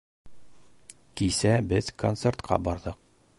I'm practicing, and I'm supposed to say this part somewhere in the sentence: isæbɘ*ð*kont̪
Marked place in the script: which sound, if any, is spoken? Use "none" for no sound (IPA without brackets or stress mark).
z